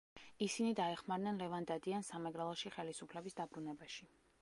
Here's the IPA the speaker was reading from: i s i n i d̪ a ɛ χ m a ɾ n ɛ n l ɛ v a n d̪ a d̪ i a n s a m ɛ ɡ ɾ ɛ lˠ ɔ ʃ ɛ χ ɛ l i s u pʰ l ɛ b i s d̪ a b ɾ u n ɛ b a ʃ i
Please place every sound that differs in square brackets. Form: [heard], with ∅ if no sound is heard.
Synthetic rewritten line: i s i n i d̪ a ɛ χ m a ɾ n ɛ n l ɛ v a n d̪ a d̪ i a n s a m ɛ ɡ ɾ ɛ lˠ ɔ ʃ [i] χ ɛ l i s u pʰ l ɛ b i s d̪ a b ɾ u n ɛ b a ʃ i